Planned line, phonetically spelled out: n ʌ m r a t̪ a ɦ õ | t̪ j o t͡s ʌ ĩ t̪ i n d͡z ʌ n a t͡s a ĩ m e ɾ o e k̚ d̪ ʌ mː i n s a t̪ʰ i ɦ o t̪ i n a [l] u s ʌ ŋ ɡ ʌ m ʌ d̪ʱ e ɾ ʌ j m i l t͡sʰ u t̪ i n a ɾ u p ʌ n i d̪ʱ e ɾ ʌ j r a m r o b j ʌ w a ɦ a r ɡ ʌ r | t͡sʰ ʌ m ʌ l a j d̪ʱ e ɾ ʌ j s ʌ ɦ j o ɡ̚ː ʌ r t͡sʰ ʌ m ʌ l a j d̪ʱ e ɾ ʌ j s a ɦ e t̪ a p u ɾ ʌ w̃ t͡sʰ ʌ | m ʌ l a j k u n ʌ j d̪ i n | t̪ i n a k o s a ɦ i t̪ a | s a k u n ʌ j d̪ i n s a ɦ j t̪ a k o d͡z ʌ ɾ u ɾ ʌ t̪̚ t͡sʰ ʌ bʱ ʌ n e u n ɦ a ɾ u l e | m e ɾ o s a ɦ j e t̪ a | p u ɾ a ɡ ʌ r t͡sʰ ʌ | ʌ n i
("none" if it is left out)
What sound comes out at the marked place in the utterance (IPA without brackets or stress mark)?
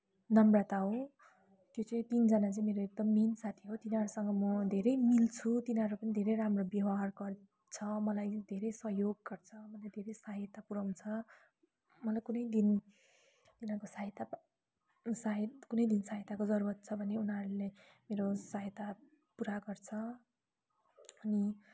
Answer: ɾ